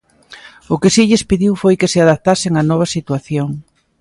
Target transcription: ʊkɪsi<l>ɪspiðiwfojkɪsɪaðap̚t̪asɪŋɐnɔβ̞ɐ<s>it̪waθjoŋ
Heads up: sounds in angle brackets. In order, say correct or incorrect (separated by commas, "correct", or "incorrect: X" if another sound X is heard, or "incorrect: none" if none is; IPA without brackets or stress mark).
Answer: incorrect: ʎ, correct